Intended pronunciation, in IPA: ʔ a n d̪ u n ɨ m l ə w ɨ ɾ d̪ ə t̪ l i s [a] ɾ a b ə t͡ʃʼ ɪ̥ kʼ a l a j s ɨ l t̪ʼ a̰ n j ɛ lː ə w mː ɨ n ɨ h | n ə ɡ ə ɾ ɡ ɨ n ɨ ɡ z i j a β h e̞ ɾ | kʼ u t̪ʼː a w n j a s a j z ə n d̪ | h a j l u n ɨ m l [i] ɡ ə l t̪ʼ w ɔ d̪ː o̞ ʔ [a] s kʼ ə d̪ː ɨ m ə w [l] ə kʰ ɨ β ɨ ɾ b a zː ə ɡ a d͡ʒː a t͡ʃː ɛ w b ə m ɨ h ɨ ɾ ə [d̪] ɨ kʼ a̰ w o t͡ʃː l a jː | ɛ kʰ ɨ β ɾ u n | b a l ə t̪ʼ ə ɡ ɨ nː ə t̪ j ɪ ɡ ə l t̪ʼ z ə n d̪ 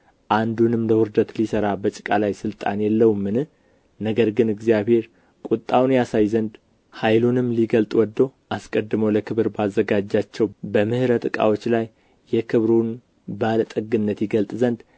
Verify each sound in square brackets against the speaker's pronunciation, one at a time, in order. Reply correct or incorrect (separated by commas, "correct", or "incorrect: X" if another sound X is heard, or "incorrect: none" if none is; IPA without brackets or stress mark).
incorrect: ə, correct, correct, correct, incorrect: t̪